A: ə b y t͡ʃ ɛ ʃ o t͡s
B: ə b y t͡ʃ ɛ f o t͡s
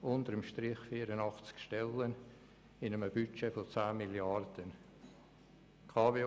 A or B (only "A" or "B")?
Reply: B